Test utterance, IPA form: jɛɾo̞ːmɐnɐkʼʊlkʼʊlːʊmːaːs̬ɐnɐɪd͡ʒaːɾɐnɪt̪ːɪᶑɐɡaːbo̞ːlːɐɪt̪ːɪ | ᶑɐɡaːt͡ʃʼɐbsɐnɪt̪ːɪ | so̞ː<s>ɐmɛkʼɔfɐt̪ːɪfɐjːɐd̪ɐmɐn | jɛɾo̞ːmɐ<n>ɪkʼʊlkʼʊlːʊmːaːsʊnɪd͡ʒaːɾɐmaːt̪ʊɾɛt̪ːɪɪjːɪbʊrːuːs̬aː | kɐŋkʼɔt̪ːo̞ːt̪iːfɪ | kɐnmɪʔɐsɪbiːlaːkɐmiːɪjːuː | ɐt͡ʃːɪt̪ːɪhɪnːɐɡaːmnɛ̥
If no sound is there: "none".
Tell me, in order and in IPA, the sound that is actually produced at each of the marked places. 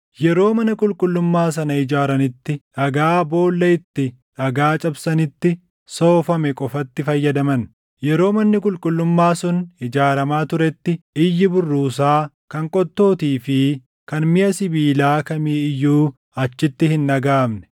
f, nː

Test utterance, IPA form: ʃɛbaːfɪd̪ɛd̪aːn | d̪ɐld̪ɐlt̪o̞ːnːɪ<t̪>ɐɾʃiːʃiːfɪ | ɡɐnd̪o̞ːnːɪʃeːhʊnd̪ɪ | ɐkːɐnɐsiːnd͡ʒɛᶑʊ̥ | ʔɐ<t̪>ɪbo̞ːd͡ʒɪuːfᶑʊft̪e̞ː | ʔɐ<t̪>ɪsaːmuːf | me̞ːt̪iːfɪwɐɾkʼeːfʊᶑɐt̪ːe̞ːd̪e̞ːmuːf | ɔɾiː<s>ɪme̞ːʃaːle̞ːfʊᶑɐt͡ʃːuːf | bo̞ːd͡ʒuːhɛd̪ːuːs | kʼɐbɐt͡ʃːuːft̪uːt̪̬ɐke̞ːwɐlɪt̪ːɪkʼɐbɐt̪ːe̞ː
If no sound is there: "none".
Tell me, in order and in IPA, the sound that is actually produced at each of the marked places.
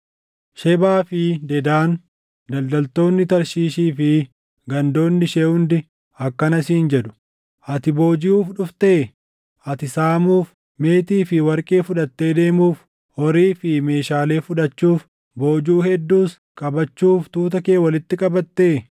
t̪, t̪, t̪, f

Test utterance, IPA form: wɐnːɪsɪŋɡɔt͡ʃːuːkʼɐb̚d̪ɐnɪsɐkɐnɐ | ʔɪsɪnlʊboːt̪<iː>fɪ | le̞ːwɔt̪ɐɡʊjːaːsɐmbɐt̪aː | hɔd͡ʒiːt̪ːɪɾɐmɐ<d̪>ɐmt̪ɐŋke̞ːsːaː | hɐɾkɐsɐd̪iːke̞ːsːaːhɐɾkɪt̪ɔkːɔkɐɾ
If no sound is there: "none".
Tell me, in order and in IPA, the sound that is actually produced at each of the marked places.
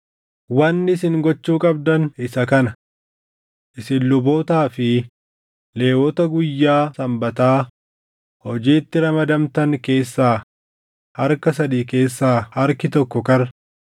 aː, d̪

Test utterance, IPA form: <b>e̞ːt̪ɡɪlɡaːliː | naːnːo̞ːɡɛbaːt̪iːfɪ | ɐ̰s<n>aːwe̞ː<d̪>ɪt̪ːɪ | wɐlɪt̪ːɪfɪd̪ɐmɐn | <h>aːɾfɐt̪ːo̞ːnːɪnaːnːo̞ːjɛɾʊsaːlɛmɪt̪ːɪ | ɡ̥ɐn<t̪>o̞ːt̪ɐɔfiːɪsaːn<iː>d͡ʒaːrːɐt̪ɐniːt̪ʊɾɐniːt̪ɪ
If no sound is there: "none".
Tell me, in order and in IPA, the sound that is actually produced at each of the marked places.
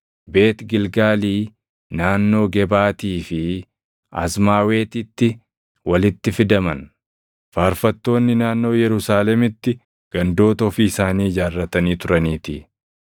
b, m, t̪, f, d̪, iː

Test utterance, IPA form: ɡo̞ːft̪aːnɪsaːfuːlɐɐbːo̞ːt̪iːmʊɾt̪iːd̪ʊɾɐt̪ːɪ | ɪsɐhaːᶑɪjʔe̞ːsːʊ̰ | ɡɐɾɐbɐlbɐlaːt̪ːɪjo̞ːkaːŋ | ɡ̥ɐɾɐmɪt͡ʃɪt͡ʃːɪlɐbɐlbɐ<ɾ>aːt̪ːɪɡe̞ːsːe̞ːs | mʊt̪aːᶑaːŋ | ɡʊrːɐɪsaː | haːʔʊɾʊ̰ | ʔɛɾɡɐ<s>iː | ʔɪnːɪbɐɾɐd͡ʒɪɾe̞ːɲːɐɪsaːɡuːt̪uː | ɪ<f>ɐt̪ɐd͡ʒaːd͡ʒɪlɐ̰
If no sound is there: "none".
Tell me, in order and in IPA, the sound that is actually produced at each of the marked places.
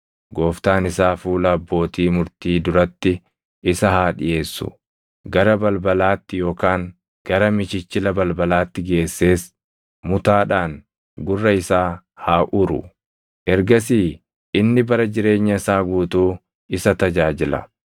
l, s, s

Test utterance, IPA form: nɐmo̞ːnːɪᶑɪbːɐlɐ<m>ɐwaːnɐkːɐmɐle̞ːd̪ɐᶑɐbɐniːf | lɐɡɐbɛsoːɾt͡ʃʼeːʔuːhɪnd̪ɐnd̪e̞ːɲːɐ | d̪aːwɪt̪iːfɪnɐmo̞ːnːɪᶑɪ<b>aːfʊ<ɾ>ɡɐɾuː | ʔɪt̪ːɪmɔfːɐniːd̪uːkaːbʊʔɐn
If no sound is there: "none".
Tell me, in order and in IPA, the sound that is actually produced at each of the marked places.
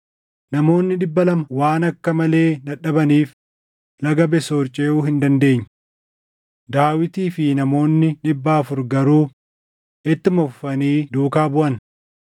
m, bː, ɾ

